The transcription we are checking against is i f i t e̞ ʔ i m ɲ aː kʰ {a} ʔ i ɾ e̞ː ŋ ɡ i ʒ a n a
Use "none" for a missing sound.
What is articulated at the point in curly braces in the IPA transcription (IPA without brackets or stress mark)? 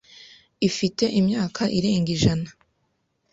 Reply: a